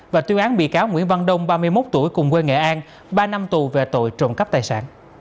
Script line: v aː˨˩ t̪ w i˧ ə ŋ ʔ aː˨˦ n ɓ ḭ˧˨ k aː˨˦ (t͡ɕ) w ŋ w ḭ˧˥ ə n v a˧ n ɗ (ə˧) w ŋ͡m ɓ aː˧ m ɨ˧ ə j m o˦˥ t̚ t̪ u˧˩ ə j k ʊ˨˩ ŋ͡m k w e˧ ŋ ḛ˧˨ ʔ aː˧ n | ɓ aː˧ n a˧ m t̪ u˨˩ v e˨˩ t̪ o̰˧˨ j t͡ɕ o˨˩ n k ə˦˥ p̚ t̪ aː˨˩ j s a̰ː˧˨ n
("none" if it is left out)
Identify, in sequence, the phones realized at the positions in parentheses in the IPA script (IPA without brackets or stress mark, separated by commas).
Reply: none, ə˧